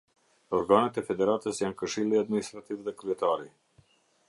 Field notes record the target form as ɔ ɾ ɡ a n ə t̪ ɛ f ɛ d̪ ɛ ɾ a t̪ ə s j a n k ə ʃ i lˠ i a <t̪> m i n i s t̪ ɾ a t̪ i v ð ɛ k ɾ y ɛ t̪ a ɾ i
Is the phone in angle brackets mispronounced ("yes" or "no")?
yes